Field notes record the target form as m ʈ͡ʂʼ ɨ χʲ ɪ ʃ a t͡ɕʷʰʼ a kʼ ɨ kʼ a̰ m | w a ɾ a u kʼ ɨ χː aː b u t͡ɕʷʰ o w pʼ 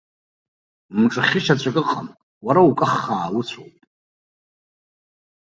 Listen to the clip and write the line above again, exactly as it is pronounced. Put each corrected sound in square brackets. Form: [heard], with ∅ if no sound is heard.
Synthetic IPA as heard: m ʈ͡ʂʼ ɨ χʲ ɪ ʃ a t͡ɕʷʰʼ a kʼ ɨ [qʼ] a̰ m | w a ɾ a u kʼ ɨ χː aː [w] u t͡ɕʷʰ o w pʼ